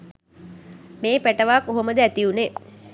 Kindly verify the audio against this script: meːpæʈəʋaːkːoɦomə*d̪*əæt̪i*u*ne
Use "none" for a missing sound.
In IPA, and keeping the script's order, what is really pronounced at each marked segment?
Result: d̪, u

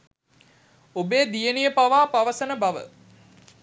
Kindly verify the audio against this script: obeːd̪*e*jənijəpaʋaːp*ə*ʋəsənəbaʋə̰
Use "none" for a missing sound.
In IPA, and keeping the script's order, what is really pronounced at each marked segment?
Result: i, a

